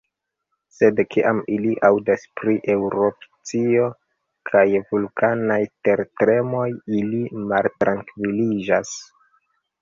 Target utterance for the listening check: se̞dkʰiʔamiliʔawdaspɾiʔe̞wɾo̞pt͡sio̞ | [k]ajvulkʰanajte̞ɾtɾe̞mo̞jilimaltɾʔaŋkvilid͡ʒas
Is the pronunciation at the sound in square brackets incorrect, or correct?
incorrect